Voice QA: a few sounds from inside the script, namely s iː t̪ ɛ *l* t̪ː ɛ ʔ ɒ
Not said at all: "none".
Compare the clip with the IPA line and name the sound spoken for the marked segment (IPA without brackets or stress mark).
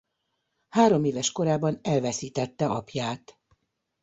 none